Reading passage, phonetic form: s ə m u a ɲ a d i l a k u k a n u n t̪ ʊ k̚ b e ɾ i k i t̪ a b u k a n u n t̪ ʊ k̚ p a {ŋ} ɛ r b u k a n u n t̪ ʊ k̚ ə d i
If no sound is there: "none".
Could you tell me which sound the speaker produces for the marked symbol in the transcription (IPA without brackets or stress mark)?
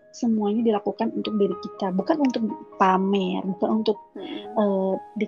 m